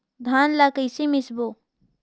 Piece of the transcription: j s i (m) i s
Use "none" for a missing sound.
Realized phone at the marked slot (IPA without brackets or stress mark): m